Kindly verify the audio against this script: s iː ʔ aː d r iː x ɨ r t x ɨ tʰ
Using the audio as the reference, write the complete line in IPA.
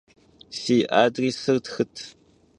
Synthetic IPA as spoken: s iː ʔ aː d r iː s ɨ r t x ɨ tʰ